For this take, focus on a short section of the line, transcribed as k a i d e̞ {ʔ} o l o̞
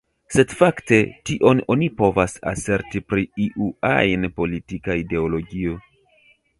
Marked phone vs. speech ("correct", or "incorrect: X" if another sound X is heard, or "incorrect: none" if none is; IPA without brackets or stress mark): incorrect: none